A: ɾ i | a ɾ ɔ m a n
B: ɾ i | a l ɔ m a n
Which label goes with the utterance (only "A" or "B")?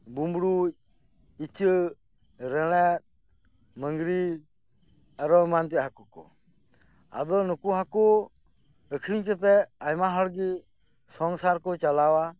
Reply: A